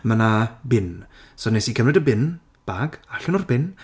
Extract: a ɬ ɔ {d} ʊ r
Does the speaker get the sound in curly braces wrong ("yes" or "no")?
yes